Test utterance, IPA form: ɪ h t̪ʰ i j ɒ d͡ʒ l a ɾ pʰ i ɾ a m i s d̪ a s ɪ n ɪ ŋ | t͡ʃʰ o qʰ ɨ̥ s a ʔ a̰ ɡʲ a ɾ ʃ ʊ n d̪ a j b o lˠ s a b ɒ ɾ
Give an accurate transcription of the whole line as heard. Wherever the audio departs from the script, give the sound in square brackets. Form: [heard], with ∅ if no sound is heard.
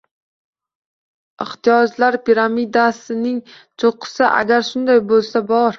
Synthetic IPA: ɪ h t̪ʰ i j ɒ d͡ʒ l a ɾ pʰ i ɾ a m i [∅] d̪ a s ɪ n ɪ ŋ | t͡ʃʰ o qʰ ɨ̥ s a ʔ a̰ ɡʲ a ɾ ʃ ʊ n d̪ a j b o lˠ s a b ɒ ɾ